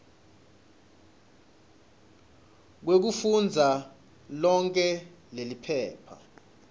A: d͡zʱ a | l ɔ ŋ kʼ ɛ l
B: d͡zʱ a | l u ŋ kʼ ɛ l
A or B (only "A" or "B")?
A